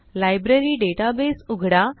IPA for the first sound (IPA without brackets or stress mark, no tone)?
l